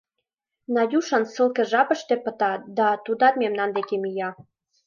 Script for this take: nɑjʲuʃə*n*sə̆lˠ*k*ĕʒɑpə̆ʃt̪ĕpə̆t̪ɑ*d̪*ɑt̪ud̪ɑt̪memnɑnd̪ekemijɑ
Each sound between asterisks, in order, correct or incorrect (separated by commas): correct, correct, correct